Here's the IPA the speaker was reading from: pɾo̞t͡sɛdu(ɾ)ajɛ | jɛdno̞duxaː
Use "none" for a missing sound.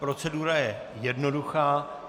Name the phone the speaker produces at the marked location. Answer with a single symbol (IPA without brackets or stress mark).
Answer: ɾ